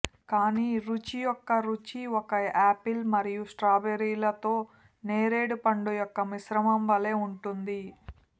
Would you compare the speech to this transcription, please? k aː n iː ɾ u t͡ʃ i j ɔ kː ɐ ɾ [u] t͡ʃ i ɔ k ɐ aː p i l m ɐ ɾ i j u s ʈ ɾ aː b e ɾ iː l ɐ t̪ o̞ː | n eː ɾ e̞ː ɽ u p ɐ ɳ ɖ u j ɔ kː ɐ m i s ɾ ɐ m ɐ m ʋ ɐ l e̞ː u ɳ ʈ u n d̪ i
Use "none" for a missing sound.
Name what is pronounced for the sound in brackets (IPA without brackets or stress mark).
u